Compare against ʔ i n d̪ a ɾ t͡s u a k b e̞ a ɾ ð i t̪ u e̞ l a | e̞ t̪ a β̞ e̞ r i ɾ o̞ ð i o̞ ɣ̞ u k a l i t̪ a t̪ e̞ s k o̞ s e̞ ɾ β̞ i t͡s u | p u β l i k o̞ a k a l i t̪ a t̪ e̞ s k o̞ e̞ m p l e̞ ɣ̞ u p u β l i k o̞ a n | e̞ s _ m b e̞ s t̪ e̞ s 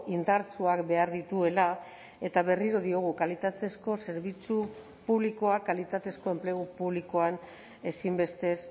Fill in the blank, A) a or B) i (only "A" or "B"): B